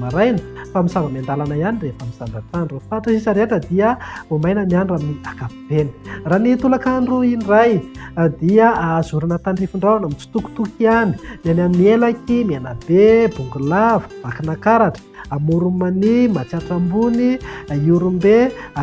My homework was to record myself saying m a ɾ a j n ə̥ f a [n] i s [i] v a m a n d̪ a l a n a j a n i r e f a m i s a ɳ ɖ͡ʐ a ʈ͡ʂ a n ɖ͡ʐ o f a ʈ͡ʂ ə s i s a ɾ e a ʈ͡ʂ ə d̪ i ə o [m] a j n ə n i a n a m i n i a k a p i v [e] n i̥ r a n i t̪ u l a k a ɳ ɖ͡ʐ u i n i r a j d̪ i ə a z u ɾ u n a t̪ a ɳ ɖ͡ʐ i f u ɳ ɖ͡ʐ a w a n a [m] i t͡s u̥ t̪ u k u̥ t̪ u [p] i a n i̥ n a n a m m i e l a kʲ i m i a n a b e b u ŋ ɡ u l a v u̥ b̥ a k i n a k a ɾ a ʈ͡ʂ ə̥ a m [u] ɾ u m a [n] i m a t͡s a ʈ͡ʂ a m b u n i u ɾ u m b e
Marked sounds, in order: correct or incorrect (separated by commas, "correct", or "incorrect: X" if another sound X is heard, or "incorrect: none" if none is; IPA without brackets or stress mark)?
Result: incorrect: m, incorrect: a, correct, correct, correct, incorrect: k, correct, correct